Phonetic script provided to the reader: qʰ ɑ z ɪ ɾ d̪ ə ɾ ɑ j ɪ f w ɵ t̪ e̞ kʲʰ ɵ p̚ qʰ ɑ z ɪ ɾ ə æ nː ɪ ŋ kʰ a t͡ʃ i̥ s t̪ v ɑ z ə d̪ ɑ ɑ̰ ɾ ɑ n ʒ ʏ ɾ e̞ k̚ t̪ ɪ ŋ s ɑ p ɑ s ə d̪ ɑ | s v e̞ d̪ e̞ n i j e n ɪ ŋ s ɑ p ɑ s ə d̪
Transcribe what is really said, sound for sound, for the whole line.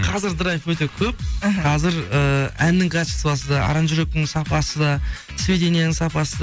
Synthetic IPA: qʰ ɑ z ɪ ɾ d̪ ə ɾ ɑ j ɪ f w ɵ t̪ e̞ kʲʰ ɵ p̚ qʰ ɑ z ɪ ɾ ə æ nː ɪ ŋ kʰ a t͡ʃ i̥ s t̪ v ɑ s ə d̪ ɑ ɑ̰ ɾ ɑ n ʒ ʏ ɾ e̞ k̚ t̪ ɪ ŋ s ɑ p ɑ s ə d̪ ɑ | s v e̞ d̪ e̞ n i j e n ɪ ŋ s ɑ p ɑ s ə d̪

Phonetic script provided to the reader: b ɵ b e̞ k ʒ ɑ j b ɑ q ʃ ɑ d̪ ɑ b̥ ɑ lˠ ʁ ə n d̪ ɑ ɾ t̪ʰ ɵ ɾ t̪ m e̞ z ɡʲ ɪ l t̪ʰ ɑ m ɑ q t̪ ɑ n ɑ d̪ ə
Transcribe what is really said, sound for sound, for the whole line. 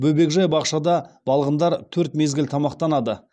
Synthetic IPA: b ɵ b e̞ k ʒ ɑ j b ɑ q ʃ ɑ d̪ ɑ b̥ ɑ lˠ ʁ ə n d̪ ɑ ɾ t̪ʰ ɵ ɾ t̪ m e̞ z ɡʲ ɪ l t̪ʰ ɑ m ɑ q t̪ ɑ n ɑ d̪ ə

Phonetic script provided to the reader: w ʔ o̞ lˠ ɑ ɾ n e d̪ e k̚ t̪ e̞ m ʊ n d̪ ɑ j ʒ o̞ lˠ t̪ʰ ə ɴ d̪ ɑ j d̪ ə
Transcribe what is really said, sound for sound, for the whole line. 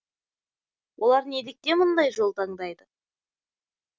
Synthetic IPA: w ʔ o̞ lˠ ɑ ɾ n e d̪ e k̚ t̪ e̞ m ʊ n d̪ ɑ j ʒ o̞ lˠ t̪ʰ ɑ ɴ d̪ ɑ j d̪ ə

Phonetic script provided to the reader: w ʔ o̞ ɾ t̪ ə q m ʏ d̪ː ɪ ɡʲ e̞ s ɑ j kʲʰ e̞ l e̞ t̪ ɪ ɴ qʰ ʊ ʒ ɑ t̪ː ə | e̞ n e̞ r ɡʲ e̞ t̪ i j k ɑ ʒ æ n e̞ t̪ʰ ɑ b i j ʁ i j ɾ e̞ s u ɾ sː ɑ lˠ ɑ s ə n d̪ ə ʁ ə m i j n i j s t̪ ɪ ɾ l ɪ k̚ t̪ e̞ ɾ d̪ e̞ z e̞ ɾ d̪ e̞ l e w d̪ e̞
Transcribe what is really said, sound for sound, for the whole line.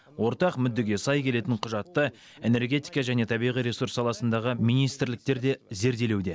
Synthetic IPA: w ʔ o̞ ɾ t̪ ɑ q m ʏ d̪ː ɪ ɡʲ e̞ s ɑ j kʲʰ e̞ l e̞ t̪ ɪ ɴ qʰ ʊ ʒ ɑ t̪ː ə | e̞ n e̞ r ɡʲ e̞ t̪ i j k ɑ ʒ æ n e̞ t̪ʰ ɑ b i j ʁ i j ɾ e̞ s u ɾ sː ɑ lˠ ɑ s ə n d̪ ɑ ʁ ə m i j n i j s t̪ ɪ ɾ l ɪ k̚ t̪ e̞ ɾ d̪ e̞ z e̞ ɾ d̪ e̞ l e w d̪ e̞

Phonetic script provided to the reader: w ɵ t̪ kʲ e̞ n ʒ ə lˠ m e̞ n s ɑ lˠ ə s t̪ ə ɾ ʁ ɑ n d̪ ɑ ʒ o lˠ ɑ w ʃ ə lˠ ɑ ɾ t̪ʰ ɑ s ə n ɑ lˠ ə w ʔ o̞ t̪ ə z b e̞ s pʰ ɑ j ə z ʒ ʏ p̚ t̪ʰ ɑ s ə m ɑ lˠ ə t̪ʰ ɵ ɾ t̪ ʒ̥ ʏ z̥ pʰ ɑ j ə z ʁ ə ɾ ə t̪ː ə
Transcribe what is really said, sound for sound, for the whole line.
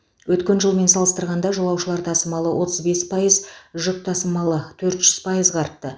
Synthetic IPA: w ɵ t̪ kʲ e̞ n ʒ ə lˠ m e̞ n s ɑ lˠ ə s t̪ ə ɾ ʁ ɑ n d̪ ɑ ʒ o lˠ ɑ w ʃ ə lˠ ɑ ɾ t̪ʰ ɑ s ə m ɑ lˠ ə w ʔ o̞ t̪ ə z b e̞ s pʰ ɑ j ə z ʒ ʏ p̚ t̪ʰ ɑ s ə m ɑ lˠ ə t̪ʰ ɵ ɾ t̪ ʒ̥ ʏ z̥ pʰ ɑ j ə z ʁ ɑ ɾ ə t̪ː ə

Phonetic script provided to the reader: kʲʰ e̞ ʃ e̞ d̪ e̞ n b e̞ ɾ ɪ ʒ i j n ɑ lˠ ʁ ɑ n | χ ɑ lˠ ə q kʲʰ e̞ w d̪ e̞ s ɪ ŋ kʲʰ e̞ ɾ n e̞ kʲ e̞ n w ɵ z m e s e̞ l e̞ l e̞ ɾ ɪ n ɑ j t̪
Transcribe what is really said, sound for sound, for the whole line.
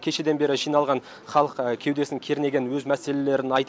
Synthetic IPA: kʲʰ e̞ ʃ e̞ d̪ e̞ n b e̞ ɾ ɪ ʒ i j n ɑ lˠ ʁ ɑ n | χ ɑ lˠ ə q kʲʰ e̞ w d̪ e̞ s ɪ ŋ kʲʰ e̞ ɾ n e̞ ɡʲ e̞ n w ɵ z m æ s e̞ l e̞ l e̞ ɾ ɪ n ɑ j t̪

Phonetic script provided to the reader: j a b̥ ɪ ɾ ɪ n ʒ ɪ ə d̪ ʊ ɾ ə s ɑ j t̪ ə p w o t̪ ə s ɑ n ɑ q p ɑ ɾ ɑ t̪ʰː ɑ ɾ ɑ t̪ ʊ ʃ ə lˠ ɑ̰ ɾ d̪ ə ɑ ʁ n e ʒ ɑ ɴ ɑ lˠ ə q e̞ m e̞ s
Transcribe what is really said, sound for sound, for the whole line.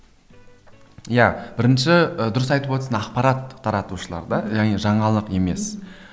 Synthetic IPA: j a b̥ ɪ ɾ ɪ n ʃ ɪ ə d̪ ʊ ɾ ə s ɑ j t̪ ə p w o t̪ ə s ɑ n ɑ q p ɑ ɾ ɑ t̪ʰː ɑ ɾ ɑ t̪ u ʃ ə lˠ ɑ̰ ɾ d̪ ɑ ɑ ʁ n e ʒ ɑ ɴ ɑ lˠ ə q e̞ m e̞ s

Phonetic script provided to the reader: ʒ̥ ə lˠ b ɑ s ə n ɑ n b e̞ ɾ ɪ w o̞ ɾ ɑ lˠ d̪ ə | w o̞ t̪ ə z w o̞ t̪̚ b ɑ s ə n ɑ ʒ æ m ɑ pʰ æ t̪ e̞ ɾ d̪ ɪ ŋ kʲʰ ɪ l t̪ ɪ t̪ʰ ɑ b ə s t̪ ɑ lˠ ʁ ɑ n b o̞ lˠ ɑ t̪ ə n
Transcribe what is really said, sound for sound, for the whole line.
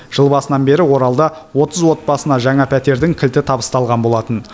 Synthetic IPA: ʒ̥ ə lˠ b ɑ s ə n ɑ n b e̞ ɾ ɪ w o̞ ɾ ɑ lˠ d̪ ɑ | w o̞ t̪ ə z w o̞ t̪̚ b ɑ s ə n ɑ ʒ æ ŋ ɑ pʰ æ t̪ e̞ ɾ d̪ ɪ ŋ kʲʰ ɪ l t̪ ɪ t̪ʰ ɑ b ə s t̪ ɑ lˠ ʁ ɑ n b o̞ lˠ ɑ t̪ ə n

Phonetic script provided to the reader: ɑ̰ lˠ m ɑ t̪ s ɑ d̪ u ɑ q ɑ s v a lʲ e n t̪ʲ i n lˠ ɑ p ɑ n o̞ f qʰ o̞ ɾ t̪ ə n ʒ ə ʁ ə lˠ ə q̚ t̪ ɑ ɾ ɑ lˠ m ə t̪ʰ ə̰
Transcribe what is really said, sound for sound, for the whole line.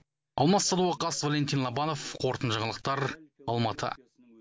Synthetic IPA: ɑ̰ lˠ m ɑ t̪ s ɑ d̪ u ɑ q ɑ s v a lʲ e n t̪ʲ i n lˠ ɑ b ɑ n o̞ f qʰ o̞ ɾ t̪ ə n ʒ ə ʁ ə lˠ ə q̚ t̪ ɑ ɾ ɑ lˠ m ɑ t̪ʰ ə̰

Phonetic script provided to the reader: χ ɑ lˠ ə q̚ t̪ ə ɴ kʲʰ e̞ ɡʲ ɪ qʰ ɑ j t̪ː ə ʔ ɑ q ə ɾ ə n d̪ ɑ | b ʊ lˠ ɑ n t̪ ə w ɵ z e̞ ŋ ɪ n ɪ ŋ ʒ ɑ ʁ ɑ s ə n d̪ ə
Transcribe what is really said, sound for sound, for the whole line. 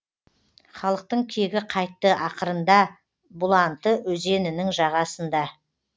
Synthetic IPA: χ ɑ lˠ ə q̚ t̪ ə ɴ kʲʰ e̞ ɡʲ ɪ qʰ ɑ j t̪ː ə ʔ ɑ q ə ɾ ə n d̪ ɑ | b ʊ lˠ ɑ n t̪ ə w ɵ z e̞ n ɪ n ɪ ŋ ʒ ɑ ʁ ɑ s ə n d̪ ɑ

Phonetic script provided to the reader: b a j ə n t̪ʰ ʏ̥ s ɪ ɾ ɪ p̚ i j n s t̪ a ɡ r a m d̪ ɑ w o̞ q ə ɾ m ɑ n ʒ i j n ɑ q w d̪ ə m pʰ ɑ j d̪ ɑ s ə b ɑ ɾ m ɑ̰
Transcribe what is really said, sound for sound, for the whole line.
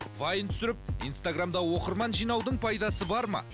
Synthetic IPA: v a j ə n t̪ʰ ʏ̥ s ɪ ɾ ɪ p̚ i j n s t̪ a ɡ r a m d̪ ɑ w o̞ q ə ɾ m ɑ n ʒ i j n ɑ w d̪ ə ɴ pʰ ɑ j d̪ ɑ s ə b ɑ ɾ m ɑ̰

